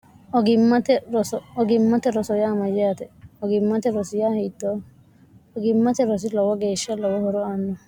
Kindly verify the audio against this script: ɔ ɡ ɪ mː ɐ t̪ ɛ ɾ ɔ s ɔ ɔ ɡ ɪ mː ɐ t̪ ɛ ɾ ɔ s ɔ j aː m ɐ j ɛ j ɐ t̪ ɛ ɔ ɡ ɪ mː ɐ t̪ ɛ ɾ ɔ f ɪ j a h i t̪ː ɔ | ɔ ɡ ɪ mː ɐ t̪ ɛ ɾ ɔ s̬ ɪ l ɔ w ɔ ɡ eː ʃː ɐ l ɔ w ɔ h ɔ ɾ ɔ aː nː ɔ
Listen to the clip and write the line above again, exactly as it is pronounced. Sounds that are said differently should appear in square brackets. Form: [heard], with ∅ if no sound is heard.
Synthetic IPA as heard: ɔ ɡ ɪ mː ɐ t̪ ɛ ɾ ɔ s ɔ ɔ ɡ ɪ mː ɐ t̪ ɛ ɾ ɔ s ɔ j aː m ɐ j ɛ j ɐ t̪ ɛ ɔ ɡ ɪ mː ɐ t̪ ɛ ɾ ɔ [s] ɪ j a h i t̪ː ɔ | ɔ ɡ ɪ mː ɐ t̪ ɛ ɾ ɔ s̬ ɪ l ɔ w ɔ ɡ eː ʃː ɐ l ɔ w ɔ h ɔ ɾ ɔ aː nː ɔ